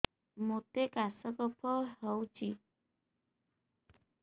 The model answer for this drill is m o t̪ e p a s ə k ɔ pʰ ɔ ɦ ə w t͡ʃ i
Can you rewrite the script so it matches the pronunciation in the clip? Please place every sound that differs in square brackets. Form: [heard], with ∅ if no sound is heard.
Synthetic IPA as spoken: m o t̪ e [k] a s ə k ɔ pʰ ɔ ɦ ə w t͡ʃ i